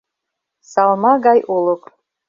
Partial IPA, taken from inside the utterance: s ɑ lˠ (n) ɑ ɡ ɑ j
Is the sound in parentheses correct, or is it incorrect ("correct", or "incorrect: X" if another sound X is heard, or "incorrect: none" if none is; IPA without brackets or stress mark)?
incorrect: m